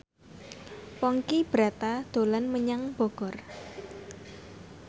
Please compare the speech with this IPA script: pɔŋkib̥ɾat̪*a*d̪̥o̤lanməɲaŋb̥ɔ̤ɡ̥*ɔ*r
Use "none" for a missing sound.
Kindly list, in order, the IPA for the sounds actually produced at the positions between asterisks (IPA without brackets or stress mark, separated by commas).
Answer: a, ɔ